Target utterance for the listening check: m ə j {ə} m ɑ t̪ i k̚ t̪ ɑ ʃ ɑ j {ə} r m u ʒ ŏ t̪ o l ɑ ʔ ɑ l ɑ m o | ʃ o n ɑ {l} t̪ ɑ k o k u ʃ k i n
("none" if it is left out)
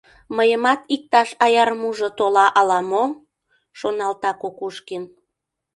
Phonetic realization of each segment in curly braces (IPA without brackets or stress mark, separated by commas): ə, ɑ, l